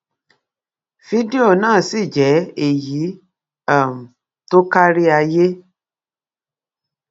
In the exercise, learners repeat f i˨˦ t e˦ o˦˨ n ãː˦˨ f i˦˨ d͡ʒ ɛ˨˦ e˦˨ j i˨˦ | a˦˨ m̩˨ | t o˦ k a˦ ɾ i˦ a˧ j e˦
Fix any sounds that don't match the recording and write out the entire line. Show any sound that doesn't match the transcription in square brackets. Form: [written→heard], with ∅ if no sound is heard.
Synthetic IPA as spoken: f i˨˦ [t→d] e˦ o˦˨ n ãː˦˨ [f→s] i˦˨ d͡ʒ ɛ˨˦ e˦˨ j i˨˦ | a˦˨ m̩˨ | t o˦ k a˦ ɾ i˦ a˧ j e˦